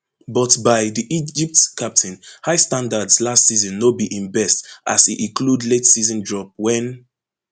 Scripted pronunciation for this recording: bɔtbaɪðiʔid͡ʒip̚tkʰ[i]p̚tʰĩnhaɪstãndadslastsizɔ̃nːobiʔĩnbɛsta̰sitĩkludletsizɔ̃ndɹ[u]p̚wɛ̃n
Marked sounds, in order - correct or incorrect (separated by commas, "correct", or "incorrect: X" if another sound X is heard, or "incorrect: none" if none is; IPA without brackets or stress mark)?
incorrect: a, incorrect: ɔ